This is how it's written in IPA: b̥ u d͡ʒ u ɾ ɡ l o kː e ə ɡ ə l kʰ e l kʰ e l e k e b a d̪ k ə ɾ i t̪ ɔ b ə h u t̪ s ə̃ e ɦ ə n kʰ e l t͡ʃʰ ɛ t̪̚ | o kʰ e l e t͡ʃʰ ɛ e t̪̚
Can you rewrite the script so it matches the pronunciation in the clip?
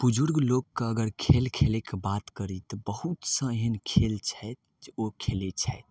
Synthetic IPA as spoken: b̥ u d͡ʒ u ɾ ɡ l o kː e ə ɡ ə ɾ kʰ e l kʰ e l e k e b a t̪ k ə ɾ i t̪ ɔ b ə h u t̪ s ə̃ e ɦ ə n kʰ e l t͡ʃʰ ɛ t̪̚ | o kʰ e l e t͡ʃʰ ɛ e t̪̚